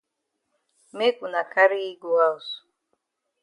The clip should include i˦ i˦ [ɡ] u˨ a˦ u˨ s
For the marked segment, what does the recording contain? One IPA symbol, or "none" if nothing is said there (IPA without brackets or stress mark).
ɡ